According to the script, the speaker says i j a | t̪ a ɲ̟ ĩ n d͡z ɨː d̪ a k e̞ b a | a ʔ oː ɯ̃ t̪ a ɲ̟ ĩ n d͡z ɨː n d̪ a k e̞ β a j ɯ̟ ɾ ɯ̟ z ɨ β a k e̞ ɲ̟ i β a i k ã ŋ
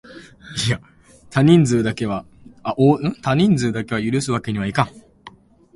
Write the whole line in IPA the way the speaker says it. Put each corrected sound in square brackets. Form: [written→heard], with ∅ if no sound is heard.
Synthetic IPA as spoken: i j a | t̪ a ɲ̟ ĩ n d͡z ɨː d̪ a k e̞ [b→β] a | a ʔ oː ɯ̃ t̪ a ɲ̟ ĩ n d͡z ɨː [n→∅] d̪ a k e̞ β a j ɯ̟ ɾ ɯ̟ [z→s] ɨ β a k e̞ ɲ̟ i β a i k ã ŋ